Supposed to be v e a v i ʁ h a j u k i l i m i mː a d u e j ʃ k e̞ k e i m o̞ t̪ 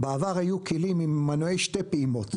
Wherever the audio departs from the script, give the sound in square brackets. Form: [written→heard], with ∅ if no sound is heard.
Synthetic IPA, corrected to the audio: [v→b] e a v [i→a] ʁ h a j u k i l i m i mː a [d→n] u e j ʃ [k→t] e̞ [k→p] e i m o̞ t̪